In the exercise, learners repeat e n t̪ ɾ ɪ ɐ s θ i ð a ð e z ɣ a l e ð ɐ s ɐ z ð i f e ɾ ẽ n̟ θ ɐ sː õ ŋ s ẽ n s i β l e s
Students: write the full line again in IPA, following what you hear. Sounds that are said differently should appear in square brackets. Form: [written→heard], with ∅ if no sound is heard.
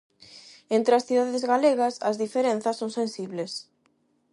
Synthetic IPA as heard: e n t̪ ɾ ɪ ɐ s θ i ð a ð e z ɣ a l e [ð→ɣ] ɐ s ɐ z ð i f e ɾ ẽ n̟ θ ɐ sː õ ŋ s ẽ n s i β l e s